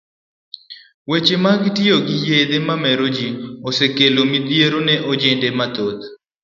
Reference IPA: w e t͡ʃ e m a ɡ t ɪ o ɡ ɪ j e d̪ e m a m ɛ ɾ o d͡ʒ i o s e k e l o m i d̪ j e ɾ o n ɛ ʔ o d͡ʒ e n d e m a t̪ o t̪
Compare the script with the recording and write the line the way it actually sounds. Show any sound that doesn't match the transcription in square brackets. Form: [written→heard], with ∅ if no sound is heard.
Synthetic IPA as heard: w e t͡ʃ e m a ɡ t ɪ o ɡ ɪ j e d̪ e m a m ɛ ɾ o d͡ʒ i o s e k e l o m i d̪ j e ɾ o n ɛ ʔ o d͡ʒ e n d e m a t̪ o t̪

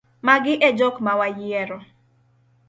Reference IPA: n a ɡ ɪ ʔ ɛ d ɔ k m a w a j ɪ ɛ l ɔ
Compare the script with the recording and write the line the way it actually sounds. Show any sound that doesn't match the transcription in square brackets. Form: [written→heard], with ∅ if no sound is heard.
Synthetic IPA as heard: [n→m] a ɡ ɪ ʔ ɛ [d→d͡ʒ] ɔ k m a w a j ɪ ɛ [l→ɾ] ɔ

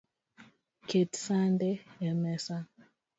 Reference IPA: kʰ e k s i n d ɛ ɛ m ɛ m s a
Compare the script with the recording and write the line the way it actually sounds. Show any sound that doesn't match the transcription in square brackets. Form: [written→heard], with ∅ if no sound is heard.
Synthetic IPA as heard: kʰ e [k→t] s [i→a] n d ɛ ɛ m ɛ [m→∅] s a

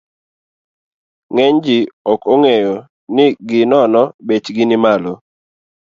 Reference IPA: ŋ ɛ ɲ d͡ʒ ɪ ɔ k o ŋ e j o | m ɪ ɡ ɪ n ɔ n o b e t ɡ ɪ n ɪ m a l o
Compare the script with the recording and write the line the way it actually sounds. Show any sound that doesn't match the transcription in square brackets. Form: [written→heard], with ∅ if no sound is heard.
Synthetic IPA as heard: ŋ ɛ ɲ d͡ʒ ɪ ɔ k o ŋ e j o | [m→n] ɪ ɡ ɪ n ɔ n [o→ɔ] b e [t→t͡ʃ] ɡ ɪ n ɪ m a l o

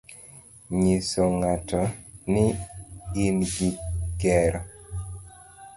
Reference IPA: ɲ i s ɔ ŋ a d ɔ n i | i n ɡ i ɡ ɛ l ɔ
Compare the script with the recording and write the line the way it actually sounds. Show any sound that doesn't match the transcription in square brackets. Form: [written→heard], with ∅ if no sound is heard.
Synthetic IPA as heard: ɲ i s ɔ ŋ a [d→t] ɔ n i | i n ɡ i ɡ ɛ [l→ɾ] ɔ

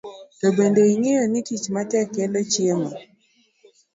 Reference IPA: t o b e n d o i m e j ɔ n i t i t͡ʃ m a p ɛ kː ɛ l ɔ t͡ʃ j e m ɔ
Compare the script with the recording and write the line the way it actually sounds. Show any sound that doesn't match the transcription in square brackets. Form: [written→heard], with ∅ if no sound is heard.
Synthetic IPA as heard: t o b e n d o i [m→ŋ] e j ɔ n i t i t͡ʃ m a [p→t] ɛ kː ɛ l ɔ t͡ʃ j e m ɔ

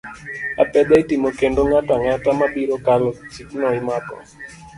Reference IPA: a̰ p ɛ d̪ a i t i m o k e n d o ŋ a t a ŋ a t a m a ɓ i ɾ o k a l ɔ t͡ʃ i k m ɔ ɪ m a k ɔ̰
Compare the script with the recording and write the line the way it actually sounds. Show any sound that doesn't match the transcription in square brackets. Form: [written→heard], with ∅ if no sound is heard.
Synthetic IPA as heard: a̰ p ɛ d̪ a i t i m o k e n d o ŋ a t a ŋ a t a m a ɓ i ɾ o k a l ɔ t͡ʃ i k [m→n] ɔ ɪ m a k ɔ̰

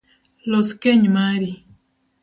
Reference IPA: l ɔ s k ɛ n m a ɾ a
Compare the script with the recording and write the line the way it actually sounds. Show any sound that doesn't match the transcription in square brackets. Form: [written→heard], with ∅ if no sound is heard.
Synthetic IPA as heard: l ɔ s k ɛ [n→ɲ] m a ɾ [a→i]

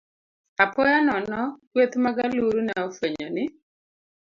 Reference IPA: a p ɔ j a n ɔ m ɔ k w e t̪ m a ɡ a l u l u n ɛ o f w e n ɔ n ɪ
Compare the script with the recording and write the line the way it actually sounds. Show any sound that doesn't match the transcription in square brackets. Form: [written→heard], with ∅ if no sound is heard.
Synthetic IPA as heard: a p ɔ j a n ɔ [m→n] ɔ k w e t̪ m a ɡ a l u [l→ɾ] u n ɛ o f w e [n→ɲ] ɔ n ɪ

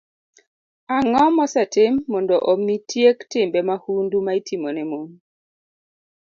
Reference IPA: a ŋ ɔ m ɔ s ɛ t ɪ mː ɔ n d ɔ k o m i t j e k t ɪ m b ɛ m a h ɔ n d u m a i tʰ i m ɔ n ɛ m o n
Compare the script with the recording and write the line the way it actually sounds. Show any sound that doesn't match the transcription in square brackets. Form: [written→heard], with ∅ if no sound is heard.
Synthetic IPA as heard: a ŋ ɔ m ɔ s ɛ t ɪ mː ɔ n d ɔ [k→ʔ] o m i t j e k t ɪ m b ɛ m a h [ɔ→u] n d u m a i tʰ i m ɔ n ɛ m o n

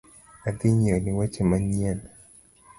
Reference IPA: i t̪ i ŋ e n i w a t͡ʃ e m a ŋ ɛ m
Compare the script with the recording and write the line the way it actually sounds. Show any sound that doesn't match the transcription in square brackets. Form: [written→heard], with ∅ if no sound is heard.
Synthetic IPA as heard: [i→a] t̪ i [ŋ→ɲ] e n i w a t͡ʃ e m a [ŋ→ɲ] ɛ [m→n]

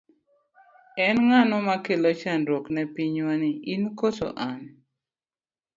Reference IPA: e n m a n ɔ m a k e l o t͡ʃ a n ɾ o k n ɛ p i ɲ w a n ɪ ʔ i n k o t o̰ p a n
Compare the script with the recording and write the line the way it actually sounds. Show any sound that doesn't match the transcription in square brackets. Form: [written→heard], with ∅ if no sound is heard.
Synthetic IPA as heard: [e→ɛ] n [m→ŋ] a n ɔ m a k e l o t͡ʃ a n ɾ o k n ɛ p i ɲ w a n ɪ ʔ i n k o t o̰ [p→ʔ] a n

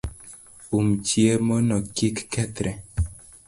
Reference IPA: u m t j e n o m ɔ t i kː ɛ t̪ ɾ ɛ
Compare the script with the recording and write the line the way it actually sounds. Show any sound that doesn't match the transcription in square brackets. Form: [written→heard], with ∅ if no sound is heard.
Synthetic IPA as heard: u m [t→t͡ʃ] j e [n→m] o [m→n] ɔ [t→k] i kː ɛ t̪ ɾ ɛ

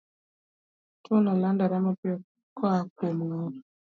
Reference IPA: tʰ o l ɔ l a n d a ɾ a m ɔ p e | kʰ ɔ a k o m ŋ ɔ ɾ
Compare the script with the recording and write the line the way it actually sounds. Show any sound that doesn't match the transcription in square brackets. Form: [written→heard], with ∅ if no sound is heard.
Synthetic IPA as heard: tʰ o l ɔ l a n d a ɾ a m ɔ p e | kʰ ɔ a k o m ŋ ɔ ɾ

